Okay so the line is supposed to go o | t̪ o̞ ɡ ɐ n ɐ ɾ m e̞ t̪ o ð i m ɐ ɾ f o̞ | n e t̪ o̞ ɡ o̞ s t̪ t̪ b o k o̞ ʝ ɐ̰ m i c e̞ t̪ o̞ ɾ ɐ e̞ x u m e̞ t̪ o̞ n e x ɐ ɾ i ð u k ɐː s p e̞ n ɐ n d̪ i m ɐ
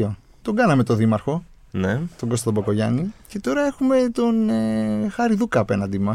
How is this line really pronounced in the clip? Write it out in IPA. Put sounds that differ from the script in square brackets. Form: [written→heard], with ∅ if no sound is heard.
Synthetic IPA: o | t̪ o̞ ɡ ɐ n ɐ [ɾ→∅] m e̞ t̪ o ð i m ɐ ɾ [f→x] o̞ | n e t̪ o̞ ɡ o̞ s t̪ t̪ b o k o̞ ʝ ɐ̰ [m→n] i c e̞ t̪ o̞ ɾ ɐ e̞ x u m e̞ t̪ o̞ n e x ɐ ɾ i ð u k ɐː [s→∅] p e̞ n ɐ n d̪ i m ɐ